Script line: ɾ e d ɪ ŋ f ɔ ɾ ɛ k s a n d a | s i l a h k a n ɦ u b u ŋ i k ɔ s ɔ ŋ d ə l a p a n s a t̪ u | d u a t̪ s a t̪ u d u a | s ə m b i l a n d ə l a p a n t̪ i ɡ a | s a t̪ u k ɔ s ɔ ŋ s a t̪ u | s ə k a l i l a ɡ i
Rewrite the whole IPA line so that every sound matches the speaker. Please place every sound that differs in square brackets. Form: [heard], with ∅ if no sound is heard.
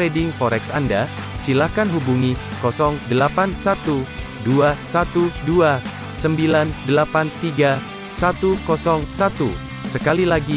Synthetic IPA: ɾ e d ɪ ŋ f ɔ ɾ ɛ k s a n d a | s i l a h k a n ɦ u b u ŋ i k ɔ s ɔ ŋ d ə l a p a n s a t̪ u | d u a [∅] s a t̪ u d u a | s ə m b i l a n d ə l a p a n t̪ i ɡ a | s a t̪ u k ɔ s ɔ ŋ s a t̪ u | s ə k a l i l a ɡ i